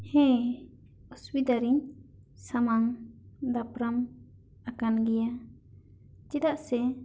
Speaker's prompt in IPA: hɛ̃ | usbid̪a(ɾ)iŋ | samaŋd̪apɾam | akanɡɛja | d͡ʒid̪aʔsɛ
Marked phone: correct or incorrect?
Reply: correct